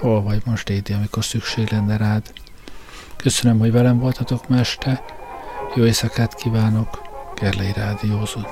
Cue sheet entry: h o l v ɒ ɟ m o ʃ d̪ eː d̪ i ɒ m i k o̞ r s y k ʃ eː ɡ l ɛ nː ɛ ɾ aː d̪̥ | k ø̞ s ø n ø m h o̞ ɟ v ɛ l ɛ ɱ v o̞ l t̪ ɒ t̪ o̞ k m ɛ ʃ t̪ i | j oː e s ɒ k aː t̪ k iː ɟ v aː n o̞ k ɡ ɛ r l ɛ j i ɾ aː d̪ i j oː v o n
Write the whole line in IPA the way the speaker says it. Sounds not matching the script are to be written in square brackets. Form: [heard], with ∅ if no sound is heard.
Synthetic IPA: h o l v ɒ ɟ m o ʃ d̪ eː d̪ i ɒ m i k o̞ r s y k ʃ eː ɡ l ɛ nː ɛ ɾ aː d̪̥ | k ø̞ s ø n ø m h o̞ ɟ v ɛ l ɛ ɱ v o̞ l t̪ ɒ t̪ o̞ k m ɛ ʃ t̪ [ɛ] | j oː e s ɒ k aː t̪ k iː [∅] v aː n o̞ k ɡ ɛ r l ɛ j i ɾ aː d̪ i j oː [z] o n